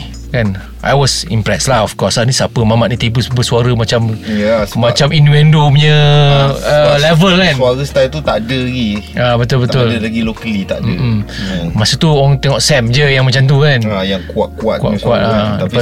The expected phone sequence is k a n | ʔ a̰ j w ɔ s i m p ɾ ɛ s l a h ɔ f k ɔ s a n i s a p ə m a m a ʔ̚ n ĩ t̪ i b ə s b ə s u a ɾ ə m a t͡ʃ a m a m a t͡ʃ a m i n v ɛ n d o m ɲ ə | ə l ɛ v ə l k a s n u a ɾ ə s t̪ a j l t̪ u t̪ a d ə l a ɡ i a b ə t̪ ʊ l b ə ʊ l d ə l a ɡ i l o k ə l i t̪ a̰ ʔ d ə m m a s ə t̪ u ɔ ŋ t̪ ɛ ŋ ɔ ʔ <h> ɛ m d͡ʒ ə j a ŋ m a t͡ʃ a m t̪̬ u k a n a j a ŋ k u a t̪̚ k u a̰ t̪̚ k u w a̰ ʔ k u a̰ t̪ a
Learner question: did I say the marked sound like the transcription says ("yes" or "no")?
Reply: no